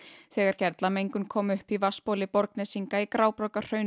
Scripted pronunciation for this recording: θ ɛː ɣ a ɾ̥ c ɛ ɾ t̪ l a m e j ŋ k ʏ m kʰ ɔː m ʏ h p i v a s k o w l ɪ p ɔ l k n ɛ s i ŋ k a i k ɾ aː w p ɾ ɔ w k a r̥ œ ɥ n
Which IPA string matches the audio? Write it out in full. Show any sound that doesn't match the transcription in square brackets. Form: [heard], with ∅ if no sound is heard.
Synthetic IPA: θ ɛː ɣ a ɾ̥ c ɛ ɾ t̪ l a m e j ŋ k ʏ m kʰ ɔː m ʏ h p i v a s [p] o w l ɪ p ɔ [ɾ] k n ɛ s i ŋ k a i k ɾ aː w p ɾ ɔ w k a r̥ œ ɥ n